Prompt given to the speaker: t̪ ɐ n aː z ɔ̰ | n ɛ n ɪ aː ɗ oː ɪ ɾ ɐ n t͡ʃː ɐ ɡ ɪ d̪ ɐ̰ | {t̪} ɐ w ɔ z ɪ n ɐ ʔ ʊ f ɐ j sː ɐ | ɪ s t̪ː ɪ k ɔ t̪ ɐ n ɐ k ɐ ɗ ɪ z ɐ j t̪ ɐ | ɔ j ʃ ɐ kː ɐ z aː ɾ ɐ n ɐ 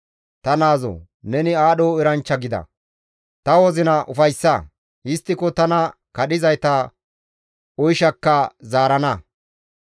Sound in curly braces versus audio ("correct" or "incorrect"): correct